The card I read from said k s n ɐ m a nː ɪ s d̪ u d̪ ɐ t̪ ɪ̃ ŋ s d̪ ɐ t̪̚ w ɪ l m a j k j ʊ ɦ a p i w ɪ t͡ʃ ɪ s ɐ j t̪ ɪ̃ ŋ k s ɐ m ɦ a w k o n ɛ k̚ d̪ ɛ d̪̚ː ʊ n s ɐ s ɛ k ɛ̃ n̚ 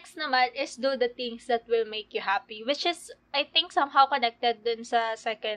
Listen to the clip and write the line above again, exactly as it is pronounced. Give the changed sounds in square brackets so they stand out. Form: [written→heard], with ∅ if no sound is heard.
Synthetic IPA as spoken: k s n ɐ m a [nː→n] ɪ s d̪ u d̪ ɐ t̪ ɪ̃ ŋ s d̪ ɐ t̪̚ w ɪ l m [a→e] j k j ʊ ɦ a p i w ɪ t͡ʃ ɪ s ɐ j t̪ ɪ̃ ŋ k s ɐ m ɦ a w k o n ɛ k̚ [d̪→t̪] ɛ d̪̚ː ʊ n s ɐ s ɛ k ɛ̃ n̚